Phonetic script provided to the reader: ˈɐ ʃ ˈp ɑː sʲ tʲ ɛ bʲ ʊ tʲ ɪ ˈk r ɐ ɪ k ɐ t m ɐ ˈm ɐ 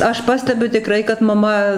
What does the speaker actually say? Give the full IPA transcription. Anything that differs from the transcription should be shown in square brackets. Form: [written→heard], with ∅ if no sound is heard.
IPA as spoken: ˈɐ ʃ ˈp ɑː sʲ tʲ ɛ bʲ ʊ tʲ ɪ ˈk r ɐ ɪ k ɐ t m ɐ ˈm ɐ